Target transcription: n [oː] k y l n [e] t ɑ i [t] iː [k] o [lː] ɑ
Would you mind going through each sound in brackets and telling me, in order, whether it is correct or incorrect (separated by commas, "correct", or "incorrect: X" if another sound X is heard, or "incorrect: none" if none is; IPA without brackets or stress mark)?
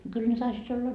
incorrect: o, correct, incorrect: s, incorrect: t, correct